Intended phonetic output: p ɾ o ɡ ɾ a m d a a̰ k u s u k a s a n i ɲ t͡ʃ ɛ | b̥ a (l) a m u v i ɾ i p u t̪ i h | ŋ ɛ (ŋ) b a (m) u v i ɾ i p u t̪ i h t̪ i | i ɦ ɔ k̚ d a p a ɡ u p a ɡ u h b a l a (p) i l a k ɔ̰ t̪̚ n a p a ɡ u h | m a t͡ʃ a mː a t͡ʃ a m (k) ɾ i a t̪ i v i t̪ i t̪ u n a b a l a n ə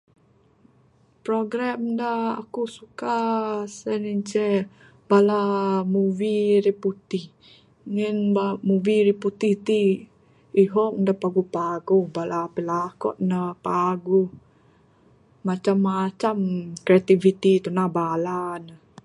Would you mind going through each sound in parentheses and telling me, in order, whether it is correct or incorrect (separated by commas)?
correct, incorrect, correct, correct, correct